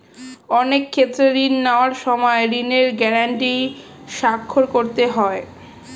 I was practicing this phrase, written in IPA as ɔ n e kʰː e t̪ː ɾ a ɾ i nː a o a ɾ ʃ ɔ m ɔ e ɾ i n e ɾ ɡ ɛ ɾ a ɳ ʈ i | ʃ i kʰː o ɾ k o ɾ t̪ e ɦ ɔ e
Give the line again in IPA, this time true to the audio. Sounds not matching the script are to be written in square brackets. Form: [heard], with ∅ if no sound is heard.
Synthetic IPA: ɔ n e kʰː e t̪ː ɾ [e] ɾ i nː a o a ɾ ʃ ɔ m ɔ e ɾ i n e ɾ ɡ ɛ ɾ a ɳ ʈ i | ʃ [a] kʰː o ɾ k o ɾ t̪ e ɦ ɔ e